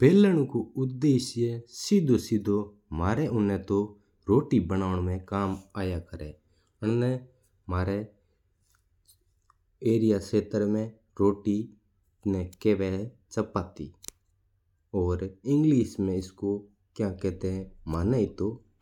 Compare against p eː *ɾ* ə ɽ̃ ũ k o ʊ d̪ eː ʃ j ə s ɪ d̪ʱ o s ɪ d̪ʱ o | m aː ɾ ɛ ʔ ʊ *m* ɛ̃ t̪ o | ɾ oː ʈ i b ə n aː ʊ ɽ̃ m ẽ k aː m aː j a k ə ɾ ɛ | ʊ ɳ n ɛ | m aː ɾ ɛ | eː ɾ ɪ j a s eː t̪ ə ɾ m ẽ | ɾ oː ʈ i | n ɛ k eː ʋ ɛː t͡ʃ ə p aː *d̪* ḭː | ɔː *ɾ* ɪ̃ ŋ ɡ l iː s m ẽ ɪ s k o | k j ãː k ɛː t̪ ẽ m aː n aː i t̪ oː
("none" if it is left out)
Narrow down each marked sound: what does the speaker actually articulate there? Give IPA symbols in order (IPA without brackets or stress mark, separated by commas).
l, n, t̪, ɾ